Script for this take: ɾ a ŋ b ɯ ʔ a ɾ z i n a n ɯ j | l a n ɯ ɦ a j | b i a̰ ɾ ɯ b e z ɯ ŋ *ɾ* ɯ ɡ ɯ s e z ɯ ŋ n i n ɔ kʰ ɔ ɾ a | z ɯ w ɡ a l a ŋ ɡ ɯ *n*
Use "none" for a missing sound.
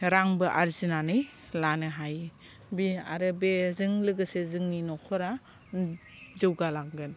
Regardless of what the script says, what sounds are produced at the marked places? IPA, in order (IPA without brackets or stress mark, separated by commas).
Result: l, n